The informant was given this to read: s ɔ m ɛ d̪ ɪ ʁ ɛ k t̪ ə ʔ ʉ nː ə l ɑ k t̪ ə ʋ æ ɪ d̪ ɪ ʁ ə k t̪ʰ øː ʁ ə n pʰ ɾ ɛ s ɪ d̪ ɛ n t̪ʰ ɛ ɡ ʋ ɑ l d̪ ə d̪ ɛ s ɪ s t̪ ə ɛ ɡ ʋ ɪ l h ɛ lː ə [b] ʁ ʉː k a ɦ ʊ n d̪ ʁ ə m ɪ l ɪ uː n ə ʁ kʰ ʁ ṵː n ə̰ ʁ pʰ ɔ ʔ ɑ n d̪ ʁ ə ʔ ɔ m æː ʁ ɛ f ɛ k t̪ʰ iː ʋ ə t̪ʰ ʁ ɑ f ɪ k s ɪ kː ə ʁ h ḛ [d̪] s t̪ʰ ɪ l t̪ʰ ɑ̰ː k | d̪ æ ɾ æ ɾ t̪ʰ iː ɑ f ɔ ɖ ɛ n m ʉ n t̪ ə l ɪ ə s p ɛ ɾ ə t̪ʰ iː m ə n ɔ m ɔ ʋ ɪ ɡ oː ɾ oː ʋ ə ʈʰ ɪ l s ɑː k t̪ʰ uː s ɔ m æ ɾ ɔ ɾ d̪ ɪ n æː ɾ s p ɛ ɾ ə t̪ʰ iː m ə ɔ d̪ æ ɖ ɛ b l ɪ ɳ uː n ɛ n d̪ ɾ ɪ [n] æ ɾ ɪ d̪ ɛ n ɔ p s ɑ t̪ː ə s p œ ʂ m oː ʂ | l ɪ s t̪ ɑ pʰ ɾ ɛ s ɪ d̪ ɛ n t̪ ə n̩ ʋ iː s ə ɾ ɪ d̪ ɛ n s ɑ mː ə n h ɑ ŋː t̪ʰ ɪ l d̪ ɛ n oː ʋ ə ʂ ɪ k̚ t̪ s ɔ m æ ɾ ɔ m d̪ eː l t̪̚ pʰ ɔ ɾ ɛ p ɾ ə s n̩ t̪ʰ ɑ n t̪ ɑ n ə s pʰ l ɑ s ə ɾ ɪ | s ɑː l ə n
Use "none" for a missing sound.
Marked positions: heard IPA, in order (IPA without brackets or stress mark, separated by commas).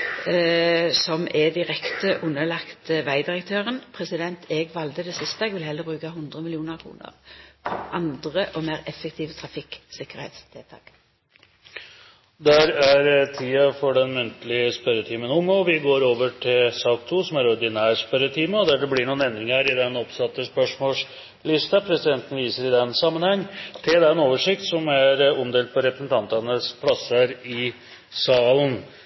b, t̪, ŋ